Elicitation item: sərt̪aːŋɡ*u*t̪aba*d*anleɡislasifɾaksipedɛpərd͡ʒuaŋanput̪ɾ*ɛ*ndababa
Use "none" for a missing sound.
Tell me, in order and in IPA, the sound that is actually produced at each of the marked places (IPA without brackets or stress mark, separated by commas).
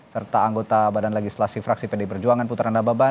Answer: o, d, a